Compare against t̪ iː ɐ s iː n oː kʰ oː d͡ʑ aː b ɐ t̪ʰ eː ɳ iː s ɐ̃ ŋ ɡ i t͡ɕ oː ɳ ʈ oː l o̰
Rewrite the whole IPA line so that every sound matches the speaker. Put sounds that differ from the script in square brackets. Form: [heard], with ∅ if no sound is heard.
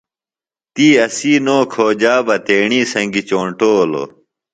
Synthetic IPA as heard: t̪ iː ɐ s iː n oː kʰ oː d͡ʑ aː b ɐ [t̪] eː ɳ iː s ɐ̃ ŋ ɡ i t͡ɕ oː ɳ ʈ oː l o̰